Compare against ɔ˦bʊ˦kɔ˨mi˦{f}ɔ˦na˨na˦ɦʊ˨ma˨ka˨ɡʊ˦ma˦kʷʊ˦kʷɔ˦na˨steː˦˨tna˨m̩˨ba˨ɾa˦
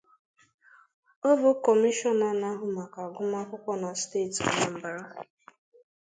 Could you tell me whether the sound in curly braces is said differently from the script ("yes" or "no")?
yes